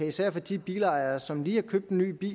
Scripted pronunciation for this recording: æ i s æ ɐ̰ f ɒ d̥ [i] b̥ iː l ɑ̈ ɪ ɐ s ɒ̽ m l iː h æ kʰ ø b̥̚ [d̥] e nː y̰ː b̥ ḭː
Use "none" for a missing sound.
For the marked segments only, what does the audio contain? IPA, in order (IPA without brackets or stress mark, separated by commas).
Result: i, d̥